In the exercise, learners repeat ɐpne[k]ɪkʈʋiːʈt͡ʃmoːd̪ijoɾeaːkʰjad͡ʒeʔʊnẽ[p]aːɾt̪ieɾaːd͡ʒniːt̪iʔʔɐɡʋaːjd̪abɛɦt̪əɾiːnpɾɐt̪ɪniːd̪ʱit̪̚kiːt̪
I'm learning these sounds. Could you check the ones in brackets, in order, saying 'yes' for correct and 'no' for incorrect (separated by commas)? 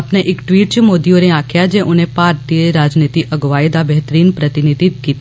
no, yes